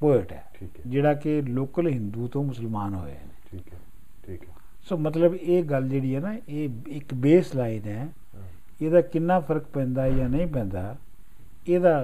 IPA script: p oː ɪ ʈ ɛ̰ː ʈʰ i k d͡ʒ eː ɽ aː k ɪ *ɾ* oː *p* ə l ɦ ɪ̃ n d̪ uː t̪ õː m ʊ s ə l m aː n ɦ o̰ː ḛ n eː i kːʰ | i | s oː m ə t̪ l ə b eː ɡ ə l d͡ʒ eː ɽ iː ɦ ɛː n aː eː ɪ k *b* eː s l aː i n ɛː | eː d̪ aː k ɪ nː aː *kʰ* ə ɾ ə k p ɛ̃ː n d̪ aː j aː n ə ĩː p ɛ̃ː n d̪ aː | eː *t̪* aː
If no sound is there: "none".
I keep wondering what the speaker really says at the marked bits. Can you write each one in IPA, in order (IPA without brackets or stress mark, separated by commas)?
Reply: l, k, b, pʰ, d̪